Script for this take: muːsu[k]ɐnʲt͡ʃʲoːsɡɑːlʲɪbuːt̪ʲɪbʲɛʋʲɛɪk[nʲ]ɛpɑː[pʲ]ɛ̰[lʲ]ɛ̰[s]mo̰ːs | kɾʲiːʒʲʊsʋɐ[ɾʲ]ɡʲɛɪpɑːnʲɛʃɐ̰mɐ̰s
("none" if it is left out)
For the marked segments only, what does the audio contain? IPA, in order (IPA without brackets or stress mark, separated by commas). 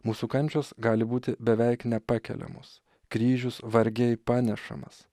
k, nʲ, kʲ, lʲ, none, ɾʲ